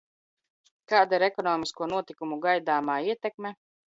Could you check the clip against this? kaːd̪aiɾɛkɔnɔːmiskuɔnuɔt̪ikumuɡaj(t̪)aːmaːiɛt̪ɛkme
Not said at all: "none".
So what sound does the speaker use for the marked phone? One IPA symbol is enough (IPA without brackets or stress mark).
d̪